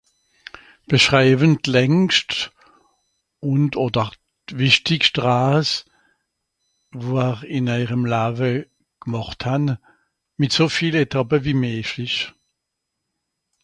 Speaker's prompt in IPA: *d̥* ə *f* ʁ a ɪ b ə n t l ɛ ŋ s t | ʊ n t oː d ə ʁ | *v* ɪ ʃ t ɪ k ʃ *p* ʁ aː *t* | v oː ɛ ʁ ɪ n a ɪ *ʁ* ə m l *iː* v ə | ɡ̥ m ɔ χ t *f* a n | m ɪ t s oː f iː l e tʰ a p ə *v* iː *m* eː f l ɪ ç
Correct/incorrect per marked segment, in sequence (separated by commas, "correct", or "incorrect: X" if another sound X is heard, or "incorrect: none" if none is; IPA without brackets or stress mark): incorrect: b̥, incorrect: ʃ, correct, incorrect: t, incorrect: s, correct, incorrect: aː, incorrect: h, correct, correct